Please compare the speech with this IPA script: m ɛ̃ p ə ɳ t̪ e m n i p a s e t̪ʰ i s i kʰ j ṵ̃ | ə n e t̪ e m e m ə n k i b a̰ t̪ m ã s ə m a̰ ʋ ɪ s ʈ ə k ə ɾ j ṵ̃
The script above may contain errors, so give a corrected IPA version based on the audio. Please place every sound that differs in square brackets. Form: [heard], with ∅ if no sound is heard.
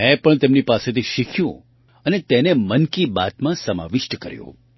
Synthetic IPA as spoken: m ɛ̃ p ə ɳ t̪ e m n i p a s e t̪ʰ i [ʃ] i kʰ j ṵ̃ | ə n e t̪ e [n] e m ə n k i b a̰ t̪ m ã s ə m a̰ ʋ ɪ [ʃ] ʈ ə k ə ɾ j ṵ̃